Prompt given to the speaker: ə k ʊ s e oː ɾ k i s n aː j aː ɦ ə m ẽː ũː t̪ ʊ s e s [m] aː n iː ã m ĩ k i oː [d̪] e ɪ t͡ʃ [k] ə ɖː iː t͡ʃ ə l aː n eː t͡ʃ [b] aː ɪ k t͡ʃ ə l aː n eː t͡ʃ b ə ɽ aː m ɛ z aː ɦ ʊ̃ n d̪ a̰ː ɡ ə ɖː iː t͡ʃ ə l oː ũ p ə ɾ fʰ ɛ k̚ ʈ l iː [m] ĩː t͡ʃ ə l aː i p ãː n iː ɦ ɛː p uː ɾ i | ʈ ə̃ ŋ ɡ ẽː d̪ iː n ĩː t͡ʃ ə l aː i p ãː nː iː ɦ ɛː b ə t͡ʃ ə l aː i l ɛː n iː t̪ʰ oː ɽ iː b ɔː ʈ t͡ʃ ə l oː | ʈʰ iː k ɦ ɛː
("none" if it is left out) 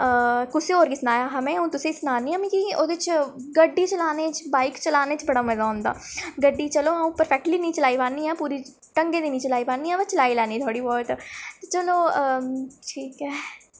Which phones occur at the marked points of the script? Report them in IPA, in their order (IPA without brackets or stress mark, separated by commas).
n, d̪, ɡ, b, n